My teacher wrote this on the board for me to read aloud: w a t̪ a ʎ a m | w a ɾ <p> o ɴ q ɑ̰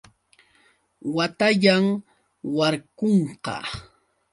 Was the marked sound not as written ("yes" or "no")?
yes